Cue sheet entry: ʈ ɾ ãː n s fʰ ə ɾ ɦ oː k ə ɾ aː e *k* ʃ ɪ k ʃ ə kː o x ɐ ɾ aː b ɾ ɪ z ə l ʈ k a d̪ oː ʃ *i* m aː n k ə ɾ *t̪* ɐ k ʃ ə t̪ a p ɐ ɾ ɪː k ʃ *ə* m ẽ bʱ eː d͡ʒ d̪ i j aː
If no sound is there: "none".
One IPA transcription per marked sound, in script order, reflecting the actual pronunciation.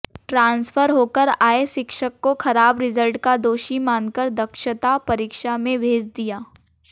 none, i, d̪, a

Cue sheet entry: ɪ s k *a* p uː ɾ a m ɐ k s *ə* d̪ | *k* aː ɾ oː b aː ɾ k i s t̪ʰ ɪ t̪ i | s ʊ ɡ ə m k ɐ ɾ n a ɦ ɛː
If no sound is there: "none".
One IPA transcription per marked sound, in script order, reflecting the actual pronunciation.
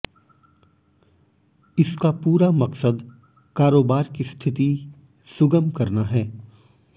a, ə, k

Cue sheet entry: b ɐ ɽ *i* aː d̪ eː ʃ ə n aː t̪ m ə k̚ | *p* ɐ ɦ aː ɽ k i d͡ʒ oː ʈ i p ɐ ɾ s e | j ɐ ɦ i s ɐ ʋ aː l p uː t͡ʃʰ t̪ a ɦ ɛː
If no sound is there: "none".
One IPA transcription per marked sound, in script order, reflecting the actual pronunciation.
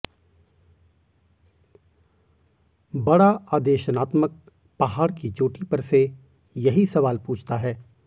a, p

